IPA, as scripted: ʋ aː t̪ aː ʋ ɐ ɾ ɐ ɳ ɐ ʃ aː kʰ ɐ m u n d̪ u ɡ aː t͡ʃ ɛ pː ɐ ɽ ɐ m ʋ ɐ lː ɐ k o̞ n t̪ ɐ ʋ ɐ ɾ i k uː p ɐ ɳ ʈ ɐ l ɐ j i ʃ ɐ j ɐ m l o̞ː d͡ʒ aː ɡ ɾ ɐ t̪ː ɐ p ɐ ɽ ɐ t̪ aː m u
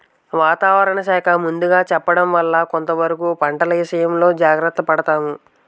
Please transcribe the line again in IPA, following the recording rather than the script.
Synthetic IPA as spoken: ʋ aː t̪ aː ʋ ɐ ɾ ɐ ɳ ɐ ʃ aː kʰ ɐ m u n d̪ u ɡ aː t͡ʃ ɛ pː ɐ ɽ ɐ m ʋ ɐ lː ɐ k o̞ n t̪ ɐ ʋ ɐ ɾ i k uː p ɐ ɳ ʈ ɐ l ɐ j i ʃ ɐ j ɐ m l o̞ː d͡ʒ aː ɡ ɾ ɐ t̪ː ɐ p ɐ ɽ ɐ t̪ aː m u